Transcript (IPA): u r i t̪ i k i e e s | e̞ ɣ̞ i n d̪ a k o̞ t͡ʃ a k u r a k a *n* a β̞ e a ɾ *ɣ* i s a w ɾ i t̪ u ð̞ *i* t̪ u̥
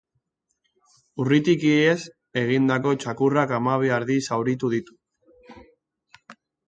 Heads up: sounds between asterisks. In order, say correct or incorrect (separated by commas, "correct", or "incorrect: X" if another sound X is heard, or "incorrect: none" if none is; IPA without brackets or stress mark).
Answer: incorrect: m, incorrect: ð, correct